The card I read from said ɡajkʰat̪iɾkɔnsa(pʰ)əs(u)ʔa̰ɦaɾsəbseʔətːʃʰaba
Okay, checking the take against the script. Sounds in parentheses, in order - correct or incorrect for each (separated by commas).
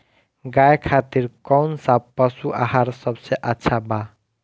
incorrect, correct